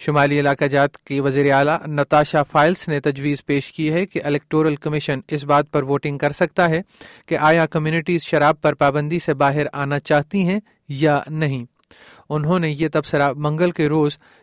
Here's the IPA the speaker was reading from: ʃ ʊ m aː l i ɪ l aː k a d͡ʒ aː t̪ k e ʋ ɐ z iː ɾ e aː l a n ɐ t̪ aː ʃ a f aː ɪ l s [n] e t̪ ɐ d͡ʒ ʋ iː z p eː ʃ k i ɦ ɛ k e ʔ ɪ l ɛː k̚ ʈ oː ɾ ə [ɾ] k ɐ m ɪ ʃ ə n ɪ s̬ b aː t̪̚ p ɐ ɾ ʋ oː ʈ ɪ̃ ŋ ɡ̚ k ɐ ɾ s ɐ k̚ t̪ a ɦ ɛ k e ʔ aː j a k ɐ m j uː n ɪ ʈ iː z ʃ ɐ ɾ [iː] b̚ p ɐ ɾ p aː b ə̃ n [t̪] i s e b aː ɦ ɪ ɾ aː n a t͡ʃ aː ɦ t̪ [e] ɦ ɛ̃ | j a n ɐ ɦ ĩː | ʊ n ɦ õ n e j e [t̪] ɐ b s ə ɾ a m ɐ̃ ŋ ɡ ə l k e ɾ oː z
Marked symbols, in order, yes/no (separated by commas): yes, no, no, no, no, yes